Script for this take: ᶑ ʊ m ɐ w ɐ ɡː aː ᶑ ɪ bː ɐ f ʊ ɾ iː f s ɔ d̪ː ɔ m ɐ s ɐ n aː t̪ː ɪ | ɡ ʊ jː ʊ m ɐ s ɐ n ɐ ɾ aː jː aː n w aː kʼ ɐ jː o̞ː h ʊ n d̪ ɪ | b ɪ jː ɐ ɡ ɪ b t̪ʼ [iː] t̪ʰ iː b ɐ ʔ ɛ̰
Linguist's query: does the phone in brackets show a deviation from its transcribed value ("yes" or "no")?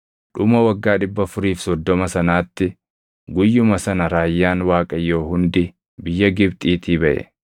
no